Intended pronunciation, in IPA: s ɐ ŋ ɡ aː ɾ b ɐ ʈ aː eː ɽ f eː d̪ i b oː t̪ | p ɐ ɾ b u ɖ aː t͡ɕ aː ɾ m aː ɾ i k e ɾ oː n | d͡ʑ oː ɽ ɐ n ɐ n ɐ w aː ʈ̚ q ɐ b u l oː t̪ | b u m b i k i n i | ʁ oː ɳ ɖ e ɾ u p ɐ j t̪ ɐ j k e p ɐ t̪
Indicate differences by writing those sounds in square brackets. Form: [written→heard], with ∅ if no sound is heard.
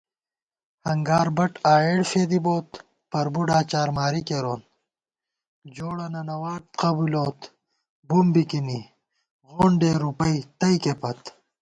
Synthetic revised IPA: [s→h] ɐ ŋ ɡ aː ɾ b ɐ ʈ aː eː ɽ f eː d̪ i b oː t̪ | p ɐ ɾ b u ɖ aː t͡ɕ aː ɾ m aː ɾ i k e ɾ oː n | d͡ʑ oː ɽ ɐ n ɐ n ɐ w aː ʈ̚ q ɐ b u l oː t̪ | b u m b i k i n i | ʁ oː ɳ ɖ e ɾ u p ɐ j t̪ ɐ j k e p ɐ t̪